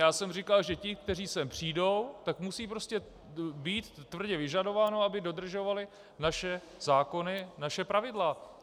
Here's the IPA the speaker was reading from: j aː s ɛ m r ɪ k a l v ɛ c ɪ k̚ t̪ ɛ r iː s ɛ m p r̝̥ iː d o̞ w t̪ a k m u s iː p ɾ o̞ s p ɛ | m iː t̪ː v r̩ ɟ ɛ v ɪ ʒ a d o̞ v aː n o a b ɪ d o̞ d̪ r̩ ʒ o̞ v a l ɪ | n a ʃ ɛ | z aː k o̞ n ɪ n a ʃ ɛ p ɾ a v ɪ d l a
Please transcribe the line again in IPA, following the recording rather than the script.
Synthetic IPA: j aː s ɛ m r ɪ k a l ʒ ɛ c ɪ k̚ t̪ ɛ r iː s ɛ m p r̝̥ iː d o̞ w t̪ a k m u s iː p ɾ o̞ s c ɛ | b iː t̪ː v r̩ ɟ ɛ v ɪ ʒ a d o̞ v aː n o a b ɪ d o̞ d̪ r̩ ʒ o̞ v a l ɪ | n a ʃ ɛ | z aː k o̞ n ɪ n a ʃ ɛ p ɾ a v ɪ d l a